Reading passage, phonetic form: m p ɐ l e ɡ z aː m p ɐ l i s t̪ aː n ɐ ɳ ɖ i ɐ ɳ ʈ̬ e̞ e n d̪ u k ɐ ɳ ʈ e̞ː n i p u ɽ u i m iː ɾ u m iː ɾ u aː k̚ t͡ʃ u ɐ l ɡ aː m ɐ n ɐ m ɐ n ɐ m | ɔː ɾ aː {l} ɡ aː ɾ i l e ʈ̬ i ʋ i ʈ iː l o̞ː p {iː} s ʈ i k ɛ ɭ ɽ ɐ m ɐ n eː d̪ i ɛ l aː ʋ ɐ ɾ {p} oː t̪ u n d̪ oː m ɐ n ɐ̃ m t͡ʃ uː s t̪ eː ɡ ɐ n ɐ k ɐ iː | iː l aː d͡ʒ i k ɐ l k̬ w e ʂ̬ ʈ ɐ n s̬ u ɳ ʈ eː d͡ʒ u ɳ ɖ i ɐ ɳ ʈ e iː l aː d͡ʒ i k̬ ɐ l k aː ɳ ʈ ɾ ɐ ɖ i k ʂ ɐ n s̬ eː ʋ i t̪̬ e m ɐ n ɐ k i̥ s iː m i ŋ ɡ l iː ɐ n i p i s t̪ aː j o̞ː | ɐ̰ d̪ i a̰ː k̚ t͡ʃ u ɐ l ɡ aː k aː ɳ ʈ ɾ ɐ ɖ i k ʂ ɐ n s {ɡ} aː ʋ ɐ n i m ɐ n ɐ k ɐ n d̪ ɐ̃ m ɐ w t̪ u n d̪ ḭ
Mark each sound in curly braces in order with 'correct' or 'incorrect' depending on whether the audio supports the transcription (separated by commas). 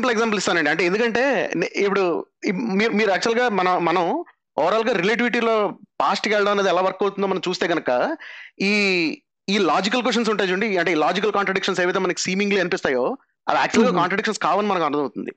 correct, incorrect, incorrect, incorrect